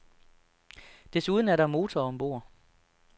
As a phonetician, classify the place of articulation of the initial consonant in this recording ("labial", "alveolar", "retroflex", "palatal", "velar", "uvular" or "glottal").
alveolar